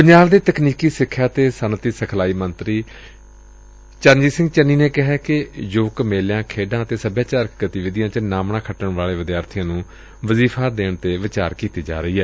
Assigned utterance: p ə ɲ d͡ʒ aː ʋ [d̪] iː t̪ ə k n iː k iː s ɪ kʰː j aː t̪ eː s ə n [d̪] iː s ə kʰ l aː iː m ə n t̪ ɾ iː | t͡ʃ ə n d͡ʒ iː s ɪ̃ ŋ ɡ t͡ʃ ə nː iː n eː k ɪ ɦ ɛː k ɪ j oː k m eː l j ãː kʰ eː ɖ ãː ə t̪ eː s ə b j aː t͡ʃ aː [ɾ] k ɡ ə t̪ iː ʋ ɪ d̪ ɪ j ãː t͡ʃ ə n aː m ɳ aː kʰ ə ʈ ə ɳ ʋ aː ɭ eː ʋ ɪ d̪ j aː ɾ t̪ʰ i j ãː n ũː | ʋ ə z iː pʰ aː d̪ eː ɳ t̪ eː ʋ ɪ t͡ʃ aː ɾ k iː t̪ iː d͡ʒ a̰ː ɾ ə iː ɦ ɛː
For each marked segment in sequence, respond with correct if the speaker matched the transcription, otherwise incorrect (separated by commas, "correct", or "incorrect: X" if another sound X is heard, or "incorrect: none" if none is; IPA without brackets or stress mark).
correct, incorrect: t̪, correct